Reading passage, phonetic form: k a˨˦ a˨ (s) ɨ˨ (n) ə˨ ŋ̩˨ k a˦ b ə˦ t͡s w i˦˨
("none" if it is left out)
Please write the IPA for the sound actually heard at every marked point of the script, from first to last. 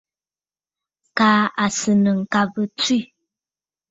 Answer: s, n

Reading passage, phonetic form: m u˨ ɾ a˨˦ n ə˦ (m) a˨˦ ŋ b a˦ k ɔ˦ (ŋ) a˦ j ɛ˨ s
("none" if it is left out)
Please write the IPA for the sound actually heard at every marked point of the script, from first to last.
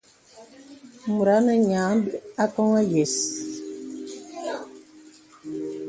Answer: ɲ, ŋ

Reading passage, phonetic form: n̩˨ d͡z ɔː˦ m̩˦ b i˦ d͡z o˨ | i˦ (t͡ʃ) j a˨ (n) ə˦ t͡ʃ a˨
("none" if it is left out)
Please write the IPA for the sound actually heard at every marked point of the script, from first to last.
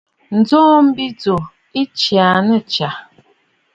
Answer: t͡ʃ, n

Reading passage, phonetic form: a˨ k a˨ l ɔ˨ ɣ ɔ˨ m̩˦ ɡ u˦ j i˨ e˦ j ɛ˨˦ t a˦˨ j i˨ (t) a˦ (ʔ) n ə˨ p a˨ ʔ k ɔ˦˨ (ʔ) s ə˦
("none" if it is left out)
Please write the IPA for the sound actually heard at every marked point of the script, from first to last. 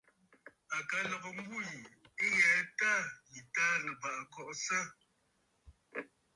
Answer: t, none, ʔ

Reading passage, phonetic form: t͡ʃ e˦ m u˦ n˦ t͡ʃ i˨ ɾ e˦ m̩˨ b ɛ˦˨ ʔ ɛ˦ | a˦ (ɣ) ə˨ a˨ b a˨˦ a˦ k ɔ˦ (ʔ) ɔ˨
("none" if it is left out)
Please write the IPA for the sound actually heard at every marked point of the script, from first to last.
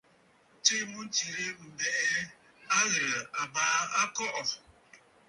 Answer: ɣ, ʔ

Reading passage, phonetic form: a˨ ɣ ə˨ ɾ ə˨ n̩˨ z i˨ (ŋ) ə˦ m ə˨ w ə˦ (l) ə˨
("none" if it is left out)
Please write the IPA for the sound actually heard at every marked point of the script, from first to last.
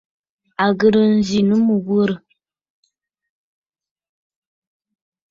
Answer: n, ɾ

